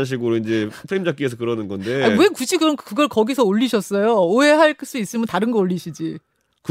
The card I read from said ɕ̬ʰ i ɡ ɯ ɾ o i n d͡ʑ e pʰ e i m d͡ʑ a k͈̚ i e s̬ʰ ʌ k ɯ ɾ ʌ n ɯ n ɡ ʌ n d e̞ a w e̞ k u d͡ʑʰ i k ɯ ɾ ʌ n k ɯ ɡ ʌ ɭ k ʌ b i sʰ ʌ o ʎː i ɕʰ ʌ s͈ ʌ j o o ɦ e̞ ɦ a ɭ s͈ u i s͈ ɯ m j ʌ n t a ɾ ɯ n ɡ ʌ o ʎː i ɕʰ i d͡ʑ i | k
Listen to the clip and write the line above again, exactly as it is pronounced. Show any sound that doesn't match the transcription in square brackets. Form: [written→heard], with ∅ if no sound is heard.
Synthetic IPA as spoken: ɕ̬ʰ i ɡ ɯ ɾ o i n d͡ʑ e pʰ e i m d͡ʑ a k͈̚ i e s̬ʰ ʌ k ɯ ɾ ʌ n ɯ n ɡ ʌ n d e̞ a w e̞ k u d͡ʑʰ i k ɯ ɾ ʌ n k ɯ ɡ ʌ ɭ k ʌ [b→ɡ] i sʰ ʌ o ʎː i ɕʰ ʌ s͈ ʌ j o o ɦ e̞ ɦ a ɭ s͈ u i s͈ ɯ m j ʌ n t a ɾ ɯ n ɡ ʌ o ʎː i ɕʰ i d͡ʑ i | k